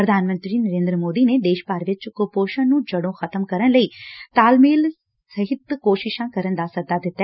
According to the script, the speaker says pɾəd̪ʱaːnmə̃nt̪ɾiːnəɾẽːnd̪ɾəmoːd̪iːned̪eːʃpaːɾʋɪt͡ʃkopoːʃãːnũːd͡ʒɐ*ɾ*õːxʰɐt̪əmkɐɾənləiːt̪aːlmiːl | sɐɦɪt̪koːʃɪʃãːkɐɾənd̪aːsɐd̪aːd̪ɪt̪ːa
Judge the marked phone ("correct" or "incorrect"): incorrect